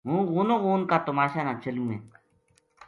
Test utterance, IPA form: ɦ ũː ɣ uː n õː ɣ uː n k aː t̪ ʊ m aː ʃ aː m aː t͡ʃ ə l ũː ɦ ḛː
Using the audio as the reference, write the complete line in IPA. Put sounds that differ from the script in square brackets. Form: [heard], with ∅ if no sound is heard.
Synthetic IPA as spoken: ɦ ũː ɣ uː n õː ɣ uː n k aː t̪ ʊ m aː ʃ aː [n] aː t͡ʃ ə l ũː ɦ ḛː

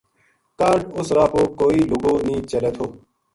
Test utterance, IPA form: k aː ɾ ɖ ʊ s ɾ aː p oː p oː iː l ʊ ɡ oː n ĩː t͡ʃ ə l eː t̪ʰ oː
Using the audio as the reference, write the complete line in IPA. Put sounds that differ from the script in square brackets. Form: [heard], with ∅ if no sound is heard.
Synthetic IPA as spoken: k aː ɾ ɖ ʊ s ɾ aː p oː [k] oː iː l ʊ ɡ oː n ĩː t͡ʃ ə l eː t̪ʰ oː

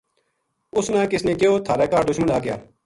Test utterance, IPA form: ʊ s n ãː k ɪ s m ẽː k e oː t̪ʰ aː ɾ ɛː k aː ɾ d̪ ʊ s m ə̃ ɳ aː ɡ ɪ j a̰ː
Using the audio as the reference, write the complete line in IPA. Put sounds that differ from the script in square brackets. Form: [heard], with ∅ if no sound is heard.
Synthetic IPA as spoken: ʊ s n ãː k ɪ s [n] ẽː k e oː t̪ʰ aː ɾ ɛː k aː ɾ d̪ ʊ [ʃ] m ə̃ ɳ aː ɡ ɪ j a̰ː

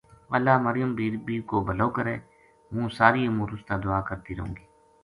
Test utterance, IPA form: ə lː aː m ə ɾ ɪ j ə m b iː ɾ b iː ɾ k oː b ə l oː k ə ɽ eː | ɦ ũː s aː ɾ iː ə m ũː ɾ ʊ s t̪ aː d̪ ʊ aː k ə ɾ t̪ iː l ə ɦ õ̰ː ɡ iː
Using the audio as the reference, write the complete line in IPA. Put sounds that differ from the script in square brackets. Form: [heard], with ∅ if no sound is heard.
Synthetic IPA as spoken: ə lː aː m ə ɾ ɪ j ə m b iː ɾ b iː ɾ k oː b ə l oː k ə [ɾ] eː | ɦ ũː s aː ɾ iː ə m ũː ɾ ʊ s t̪ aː d̪ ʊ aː k ə ɾ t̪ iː [ɾ] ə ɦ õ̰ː ɡ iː

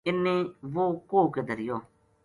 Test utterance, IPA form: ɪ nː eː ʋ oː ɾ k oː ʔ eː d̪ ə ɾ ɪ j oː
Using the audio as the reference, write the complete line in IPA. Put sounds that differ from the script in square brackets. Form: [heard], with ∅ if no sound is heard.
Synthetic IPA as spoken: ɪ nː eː ʋ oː [∅] k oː [k] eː d̪ ə ɾ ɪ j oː

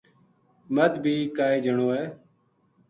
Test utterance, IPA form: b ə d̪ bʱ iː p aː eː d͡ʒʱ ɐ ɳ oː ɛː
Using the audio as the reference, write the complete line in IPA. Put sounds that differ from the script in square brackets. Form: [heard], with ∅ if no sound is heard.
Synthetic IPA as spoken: [m] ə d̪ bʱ iː [k] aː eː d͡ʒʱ [ə] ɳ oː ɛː

